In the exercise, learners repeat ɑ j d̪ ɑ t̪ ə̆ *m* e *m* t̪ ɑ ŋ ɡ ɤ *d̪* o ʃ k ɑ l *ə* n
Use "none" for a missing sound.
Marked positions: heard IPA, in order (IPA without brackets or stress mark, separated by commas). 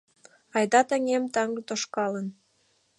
ŋ, m, t̪, ə